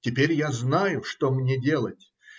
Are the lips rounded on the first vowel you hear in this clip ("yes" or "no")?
no